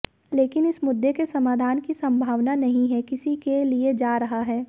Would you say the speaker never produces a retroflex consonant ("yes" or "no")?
yes